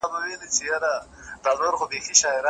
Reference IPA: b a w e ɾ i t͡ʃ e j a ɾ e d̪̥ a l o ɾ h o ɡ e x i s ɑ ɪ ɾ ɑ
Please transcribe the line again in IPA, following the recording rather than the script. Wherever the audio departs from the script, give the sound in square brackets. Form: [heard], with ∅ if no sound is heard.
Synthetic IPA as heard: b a w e [l] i t͡ʃ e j a ɾ [a] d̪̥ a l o ɾ [x] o [b] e x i [ʃ] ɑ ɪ ɾ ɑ